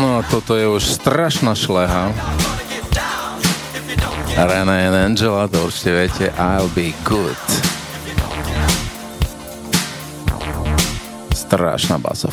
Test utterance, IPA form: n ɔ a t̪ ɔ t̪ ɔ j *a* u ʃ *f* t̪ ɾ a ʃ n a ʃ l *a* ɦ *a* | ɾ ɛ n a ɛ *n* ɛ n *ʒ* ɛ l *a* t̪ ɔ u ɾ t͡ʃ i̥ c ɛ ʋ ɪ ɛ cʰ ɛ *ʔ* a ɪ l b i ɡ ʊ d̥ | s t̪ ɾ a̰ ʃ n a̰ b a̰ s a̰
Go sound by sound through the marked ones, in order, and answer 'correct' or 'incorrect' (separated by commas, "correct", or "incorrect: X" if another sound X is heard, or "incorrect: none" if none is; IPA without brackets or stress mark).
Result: incorrect: ɛ, incorrect: s, incorrect: ɛ, correct, correct, incorrect: d͡ʒ, correct, correct